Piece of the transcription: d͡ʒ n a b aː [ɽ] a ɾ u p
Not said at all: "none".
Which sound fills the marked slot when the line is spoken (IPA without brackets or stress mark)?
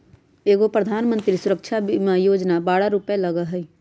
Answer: ɽ